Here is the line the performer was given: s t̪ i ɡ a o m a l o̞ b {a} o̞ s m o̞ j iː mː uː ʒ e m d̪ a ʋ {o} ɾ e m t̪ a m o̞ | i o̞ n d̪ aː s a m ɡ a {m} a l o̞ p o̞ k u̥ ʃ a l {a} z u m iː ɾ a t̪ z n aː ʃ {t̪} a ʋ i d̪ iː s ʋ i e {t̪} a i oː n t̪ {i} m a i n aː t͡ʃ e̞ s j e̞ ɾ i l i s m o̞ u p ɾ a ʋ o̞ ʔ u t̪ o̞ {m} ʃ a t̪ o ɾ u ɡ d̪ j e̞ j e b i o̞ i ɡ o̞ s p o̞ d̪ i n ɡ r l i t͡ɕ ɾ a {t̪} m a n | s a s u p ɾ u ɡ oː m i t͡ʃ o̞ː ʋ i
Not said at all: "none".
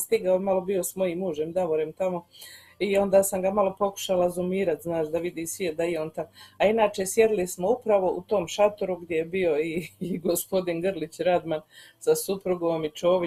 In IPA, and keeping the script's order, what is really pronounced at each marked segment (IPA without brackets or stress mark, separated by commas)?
i, o, m, a, d̪, d̪, a, m, d̪